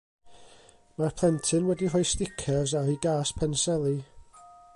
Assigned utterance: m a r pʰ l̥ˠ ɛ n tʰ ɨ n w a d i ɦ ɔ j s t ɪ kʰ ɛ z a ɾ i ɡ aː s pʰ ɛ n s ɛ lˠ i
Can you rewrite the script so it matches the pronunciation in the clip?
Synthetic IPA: m a r pʰ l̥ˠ ɛ n tʰ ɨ n w ɛ d i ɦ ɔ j s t ɪ kʰ ɛ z a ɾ i ɡ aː s pʰ ɛ n s ɛ lˠ i